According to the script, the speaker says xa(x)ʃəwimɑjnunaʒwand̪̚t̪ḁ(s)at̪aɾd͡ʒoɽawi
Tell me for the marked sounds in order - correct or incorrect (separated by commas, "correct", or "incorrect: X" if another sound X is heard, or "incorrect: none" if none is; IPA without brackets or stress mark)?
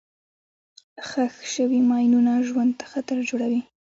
correct, incorrect: x